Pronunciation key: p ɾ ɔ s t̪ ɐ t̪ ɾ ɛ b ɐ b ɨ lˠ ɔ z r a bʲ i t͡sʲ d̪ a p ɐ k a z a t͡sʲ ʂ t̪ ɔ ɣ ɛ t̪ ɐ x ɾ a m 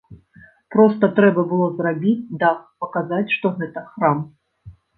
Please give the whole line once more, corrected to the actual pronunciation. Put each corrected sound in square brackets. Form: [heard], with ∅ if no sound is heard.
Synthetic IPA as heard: p ɾ ɔ s t̪ ɐ t̪ ɾ ɛ b ɐ b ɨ lˠ ɔ z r a bʲ i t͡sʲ d̪ a p ɐ k a z a t͡sʲ ʂ t̪ ɔ ɣ ɛ t̪ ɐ x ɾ a m